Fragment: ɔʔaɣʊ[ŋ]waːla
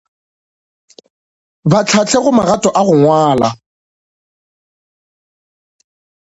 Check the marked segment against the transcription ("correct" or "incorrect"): correct